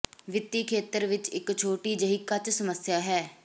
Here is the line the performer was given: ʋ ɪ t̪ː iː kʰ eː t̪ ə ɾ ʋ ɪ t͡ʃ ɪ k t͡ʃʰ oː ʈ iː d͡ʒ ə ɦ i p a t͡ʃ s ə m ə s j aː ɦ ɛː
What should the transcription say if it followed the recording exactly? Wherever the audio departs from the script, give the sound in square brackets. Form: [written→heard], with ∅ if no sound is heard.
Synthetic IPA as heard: ʋ ɪ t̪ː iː kʰ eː t̪ ə ɾ ʋ ɪ t͡ʃ ɪ k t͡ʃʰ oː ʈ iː d͡ʒ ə ɦ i [p→k] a t͡ʃ s ə m ə s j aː ɦ ɛː

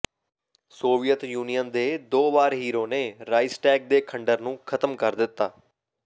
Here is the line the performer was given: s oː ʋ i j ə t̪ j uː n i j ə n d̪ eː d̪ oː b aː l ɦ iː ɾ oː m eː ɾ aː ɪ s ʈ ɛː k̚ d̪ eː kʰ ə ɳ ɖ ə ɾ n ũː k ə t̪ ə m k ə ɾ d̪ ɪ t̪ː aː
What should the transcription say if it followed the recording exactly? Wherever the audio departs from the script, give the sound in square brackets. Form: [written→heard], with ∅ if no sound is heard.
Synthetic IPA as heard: s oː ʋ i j ə t̪ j uː n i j ə n d̪ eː d̪ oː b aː [l→ɾ] ɦ iː ɾ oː [m→n] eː ɾ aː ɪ s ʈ ɛː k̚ d̪ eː kʰ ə ɳ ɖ ə ɾ n ũː [k→kʰ] ə t̪ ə m k ə ɾ d̪ ɪ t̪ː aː

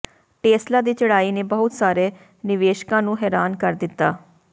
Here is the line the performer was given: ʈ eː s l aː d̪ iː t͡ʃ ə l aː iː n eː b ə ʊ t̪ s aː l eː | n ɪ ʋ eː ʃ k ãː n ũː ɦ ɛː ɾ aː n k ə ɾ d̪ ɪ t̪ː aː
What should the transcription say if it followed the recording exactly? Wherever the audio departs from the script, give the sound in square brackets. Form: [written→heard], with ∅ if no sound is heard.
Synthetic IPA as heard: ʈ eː s l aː d̪ iː t͡ʃ ə [l→ɽ] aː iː n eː b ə ʊ t̪ s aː [l→ɾ] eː | n ɪ ʋ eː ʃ k ãː n ũː ɦ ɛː ɾ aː n k ə ɾ d̪ ɪ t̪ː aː

